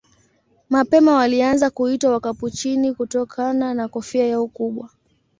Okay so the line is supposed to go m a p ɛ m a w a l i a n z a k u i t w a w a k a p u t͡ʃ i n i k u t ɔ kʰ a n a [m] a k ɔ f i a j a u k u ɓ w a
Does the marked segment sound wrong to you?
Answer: yes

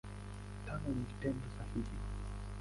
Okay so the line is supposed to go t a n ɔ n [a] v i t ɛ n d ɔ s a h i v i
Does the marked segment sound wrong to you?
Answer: yes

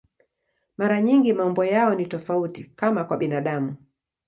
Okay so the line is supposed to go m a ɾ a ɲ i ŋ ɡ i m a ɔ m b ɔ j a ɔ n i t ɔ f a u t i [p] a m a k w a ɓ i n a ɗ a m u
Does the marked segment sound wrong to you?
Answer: yes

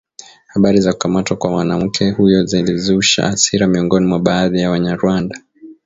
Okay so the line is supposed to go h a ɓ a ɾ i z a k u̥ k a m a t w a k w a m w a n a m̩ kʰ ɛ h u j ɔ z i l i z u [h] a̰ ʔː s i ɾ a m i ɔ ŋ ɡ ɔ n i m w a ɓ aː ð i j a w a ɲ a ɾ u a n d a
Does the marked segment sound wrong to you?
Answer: yes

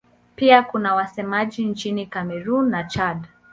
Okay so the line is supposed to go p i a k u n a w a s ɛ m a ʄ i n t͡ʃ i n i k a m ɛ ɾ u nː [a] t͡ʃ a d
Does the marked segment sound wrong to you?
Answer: no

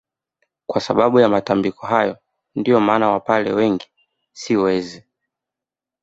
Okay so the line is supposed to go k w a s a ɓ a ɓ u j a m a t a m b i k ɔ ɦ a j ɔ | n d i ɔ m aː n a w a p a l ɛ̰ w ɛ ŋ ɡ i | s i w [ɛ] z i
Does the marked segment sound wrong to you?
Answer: no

